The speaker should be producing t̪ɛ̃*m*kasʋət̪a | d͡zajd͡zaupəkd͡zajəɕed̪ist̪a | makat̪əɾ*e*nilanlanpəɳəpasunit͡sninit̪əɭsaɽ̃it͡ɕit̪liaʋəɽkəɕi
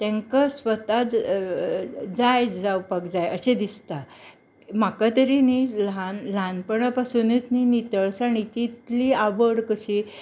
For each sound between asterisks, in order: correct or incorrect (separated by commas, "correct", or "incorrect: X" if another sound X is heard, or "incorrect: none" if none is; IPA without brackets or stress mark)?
incorrect: ŋ, incorrect: i